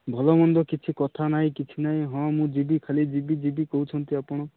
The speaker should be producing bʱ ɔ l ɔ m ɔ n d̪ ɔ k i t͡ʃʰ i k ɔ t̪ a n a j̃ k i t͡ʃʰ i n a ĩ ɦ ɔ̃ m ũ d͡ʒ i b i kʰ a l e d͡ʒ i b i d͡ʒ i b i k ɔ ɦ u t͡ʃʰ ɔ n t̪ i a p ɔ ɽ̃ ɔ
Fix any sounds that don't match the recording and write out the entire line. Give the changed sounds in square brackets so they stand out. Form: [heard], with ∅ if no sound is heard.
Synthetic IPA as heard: bʱ ɔ l ɔ m ɔ n d̪ ɔ k i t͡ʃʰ i k ɔ [t̪ʰ] a n a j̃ k i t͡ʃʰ i n a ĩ ɦ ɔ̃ m ũ d͡ʒ i b i kʰ a l [i] d͡ʒ i b i d͡ʒ i b i k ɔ ɦ u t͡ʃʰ ɔ n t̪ i a p ɔ ɽ̃ ɔ

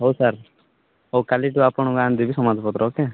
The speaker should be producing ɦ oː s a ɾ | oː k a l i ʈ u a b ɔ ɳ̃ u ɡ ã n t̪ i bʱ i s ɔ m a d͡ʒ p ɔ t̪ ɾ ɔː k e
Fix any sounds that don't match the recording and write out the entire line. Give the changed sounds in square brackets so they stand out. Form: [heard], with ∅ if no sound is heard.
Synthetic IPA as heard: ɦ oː s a ɾ | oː k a l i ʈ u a [p] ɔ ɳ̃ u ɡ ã n [d̪] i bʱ i s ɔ m a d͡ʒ p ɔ t̪ ɾ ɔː k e

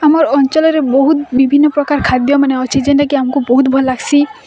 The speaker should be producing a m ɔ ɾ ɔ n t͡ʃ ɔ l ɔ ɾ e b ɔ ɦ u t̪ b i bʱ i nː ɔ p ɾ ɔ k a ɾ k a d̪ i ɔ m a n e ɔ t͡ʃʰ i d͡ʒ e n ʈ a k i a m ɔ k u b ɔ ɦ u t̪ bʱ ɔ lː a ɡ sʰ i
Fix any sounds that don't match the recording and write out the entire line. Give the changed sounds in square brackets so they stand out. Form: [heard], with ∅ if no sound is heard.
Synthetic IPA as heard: a m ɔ ɾ ɔ n t͡ʃ ɔ l ɔ ɾ e b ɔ ɦ u t̪ b i bʱ i nː ɔ p ɾ ɔ k a ɾ [kʰ] a d̪ [j] ɔ m a n e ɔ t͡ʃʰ i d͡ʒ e n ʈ a k i a m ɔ k u b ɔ ɦ u t̪ bʱ ɔ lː a ɡ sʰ i

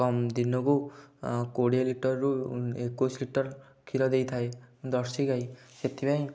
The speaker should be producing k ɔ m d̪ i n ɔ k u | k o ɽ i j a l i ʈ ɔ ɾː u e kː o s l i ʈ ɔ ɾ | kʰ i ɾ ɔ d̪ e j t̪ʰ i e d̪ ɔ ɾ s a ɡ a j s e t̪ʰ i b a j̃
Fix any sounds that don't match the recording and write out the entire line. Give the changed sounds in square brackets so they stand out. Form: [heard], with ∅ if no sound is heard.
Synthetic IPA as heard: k ɔ m d̪ i n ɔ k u | k o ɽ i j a l i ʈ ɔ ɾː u e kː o s l i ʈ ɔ ɾ | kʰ i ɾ ɔ d̪ e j t̪ʰ [a] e d̪ ɔ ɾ s [i] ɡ a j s e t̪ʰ i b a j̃

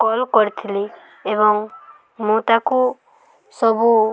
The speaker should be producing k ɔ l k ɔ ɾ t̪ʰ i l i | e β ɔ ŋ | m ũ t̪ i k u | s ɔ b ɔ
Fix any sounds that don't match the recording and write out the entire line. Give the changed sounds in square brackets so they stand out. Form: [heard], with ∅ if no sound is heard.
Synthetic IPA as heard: k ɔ l k ɔ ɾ t̪ʰ i l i | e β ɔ ŋ | m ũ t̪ [a] k u | s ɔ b [u]

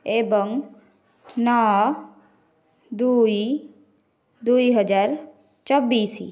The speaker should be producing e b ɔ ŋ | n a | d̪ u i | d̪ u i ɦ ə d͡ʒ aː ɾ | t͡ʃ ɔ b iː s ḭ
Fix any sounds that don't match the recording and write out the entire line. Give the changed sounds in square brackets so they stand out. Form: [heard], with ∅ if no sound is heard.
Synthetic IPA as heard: e b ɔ ŋ | n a | d̪ u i | d̪ u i ɦ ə d͡ʒ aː ɾ | t͡ʃ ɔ b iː s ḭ

